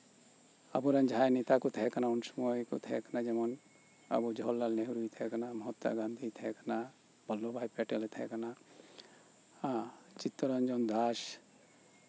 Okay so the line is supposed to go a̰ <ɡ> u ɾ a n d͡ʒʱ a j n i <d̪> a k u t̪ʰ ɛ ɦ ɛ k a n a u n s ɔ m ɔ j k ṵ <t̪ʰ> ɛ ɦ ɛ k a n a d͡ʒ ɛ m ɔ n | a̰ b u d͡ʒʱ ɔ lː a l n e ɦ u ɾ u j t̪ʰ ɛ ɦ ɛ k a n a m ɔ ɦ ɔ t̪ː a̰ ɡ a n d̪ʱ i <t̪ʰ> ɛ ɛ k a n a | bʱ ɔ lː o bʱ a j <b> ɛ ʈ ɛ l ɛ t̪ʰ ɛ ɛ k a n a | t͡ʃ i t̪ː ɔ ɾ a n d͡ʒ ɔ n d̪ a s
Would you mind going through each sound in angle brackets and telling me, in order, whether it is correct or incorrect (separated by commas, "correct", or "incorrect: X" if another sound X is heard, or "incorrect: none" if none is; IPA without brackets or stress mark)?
incorrect: b, incorrect: t̪, correct, correct, incorrect: p